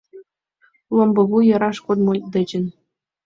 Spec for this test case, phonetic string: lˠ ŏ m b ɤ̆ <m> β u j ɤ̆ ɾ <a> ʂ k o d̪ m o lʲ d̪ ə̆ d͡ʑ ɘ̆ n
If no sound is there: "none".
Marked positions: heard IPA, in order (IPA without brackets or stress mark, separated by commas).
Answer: none, ɑ